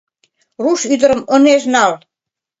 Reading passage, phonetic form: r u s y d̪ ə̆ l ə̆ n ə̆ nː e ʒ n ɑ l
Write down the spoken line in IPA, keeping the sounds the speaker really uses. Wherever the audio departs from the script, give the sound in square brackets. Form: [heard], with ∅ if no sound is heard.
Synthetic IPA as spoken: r u [ʃ] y d̪ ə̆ [ɾ] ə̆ [m] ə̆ [n] e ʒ n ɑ l